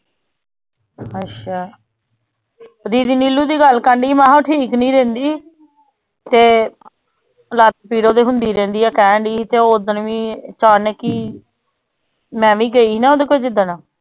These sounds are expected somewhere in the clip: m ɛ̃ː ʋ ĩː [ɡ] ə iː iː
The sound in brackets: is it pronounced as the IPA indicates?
yes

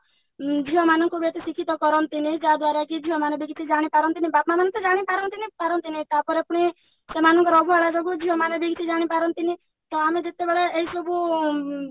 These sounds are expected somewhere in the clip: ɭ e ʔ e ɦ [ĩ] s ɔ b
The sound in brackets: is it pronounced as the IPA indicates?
no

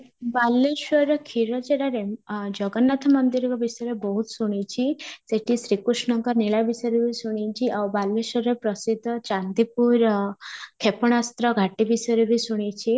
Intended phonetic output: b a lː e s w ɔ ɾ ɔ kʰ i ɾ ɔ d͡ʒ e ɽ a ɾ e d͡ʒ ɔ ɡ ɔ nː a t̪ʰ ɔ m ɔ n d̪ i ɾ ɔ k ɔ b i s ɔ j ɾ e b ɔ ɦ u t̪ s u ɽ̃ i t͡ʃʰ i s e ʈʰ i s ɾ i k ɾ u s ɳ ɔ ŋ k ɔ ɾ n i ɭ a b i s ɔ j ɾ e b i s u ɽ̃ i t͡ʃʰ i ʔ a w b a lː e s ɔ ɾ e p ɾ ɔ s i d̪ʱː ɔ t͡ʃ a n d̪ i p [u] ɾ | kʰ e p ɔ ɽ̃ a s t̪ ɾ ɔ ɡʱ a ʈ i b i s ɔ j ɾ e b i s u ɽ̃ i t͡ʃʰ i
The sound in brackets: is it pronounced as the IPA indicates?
yes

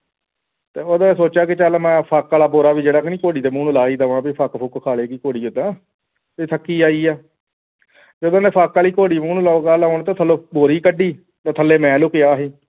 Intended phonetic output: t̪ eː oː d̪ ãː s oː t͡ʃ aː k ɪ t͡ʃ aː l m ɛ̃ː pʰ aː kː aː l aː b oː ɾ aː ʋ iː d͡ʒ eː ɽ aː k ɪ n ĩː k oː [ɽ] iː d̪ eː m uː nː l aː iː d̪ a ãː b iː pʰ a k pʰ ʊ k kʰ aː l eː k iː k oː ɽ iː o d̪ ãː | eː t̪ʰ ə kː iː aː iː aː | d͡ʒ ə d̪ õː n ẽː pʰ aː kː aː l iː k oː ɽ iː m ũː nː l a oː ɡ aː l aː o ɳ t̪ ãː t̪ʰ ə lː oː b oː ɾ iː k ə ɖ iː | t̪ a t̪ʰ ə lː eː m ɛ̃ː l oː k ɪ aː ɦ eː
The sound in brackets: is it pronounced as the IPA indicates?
yes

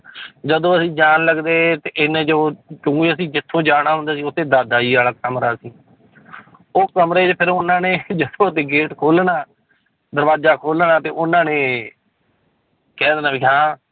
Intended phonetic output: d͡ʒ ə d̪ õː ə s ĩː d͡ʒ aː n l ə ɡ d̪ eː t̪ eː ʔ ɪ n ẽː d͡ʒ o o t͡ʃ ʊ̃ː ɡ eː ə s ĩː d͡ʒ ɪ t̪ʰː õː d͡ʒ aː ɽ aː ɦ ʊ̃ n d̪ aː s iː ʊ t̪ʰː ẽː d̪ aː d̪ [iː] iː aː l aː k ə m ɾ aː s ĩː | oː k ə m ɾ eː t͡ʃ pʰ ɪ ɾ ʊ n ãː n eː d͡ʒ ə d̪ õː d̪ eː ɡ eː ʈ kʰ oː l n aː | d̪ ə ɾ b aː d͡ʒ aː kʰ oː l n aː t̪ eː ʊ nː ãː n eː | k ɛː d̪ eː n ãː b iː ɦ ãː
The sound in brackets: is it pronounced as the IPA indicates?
no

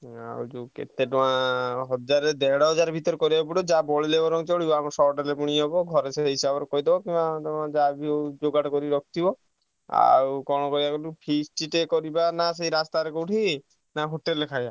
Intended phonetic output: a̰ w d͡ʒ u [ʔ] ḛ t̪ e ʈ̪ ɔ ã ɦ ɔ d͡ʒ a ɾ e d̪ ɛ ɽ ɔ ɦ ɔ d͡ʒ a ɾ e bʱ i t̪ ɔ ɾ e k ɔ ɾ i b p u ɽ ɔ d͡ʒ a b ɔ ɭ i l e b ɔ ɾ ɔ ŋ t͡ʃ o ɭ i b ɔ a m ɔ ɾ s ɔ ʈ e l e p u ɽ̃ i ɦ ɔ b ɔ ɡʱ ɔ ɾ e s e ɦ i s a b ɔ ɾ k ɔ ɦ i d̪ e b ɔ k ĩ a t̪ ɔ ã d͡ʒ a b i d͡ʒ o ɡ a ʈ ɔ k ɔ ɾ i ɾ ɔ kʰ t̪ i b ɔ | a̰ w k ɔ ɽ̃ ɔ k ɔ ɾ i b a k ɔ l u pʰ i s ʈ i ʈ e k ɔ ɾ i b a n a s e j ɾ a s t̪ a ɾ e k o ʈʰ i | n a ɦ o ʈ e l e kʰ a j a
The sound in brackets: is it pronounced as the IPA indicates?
no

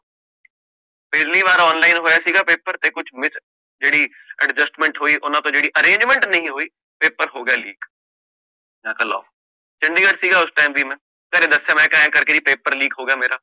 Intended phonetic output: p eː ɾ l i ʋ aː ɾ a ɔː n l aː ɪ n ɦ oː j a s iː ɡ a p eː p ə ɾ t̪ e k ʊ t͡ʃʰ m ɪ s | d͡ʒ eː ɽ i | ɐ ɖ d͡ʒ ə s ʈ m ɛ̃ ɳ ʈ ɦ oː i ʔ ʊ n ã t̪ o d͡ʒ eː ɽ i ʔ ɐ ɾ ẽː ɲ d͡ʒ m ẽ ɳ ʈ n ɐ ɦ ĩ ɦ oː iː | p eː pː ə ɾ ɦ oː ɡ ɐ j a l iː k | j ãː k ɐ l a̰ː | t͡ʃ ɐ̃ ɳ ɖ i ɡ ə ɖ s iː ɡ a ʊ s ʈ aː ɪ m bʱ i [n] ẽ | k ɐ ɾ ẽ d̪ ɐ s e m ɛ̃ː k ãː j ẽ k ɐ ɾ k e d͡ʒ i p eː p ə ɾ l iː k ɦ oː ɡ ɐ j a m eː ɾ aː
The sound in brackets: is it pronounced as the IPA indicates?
no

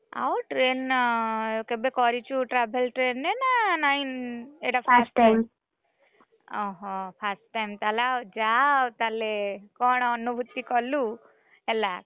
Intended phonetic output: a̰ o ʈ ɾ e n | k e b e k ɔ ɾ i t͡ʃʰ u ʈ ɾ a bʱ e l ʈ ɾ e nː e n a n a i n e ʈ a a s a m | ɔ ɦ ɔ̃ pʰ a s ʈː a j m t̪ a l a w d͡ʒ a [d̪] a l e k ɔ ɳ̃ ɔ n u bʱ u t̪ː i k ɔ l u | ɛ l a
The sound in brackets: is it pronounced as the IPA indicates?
no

